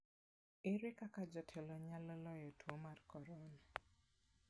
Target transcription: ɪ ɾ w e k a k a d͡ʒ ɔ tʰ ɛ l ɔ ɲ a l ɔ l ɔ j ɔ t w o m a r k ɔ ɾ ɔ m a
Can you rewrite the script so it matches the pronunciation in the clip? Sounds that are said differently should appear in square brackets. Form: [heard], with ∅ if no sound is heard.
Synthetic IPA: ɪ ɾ w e k a k a d͡ʒ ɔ tʰ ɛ l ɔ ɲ a l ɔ l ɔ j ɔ t w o m a r k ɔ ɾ ɔ [n] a

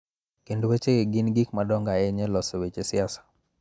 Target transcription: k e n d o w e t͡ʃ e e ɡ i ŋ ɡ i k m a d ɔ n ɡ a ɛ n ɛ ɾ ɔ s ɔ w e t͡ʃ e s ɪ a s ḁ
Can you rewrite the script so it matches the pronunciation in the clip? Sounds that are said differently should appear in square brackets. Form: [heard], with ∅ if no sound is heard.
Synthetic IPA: k e n d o w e t͡ʃ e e ɡ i [n] ɡ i k m a d ɔ [ŋ] ɡ a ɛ [ɲ] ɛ [l] ɔ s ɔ w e t͡ʃ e s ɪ a s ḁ

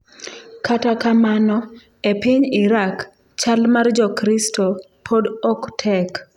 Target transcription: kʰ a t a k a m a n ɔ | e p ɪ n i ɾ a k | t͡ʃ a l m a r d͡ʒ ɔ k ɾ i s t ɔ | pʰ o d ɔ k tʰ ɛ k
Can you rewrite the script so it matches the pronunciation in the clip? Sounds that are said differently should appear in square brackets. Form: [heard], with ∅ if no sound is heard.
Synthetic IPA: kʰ a t a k a m a n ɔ | e p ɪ [ɲ] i ɾ a k | t͡ʃ a l m a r d͡ʒ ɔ k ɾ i s t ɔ | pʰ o d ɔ k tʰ ɛ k

